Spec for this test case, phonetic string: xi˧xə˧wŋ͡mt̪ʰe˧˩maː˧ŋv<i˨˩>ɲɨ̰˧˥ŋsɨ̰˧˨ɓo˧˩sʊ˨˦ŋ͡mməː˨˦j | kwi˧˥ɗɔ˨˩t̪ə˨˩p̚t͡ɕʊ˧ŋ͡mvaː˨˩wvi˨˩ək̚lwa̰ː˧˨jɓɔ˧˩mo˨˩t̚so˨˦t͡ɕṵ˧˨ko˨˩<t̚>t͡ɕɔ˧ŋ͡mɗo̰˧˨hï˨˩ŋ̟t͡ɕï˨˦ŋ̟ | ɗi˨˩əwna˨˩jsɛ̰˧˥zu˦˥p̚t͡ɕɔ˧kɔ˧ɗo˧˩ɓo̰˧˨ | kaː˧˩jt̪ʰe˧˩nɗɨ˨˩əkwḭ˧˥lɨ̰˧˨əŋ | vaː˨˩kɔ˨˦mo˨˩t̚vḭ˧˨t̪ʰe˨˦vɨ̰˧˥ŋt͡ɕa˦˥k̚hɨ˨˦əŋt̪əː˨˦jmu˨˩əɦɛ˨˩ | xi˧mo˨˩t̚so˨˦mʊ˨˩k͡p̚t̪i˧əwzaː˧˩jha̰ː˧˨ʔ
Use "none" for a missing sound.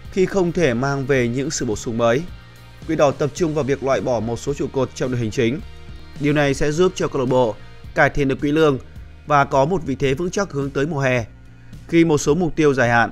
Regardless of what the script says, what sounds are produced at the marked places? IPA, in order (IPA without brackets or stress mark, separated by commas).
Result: e˨˩, t̚